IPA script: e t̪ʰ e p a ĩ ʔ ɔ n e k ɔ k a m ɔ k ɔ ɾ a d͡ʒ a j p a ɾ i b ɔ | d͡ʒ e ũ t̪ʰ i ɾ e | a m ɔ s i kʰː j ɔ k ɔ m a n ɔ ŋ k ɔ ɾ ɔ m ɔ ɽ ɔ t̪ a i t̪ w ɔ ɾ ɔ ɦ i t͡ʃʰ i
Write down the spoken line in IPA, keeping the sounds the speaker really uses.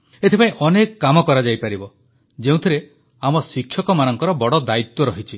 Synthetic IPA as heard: e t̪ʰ e p a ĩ ʔ ɔ n e k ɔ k a m ɔ k ɔ ɾ a d͡ʒ a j p a ɾ i b ɔ | d͡ʒ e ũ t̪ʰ i ɾ e | a m ɔ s i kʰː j ɔ k ɔ m a n ɔ ŋ k ɔ ɾ ɔ b ɔ ɽ ɔ d̪ a i t̪ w ɔ ɾ ɔ ɦ i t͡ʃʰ i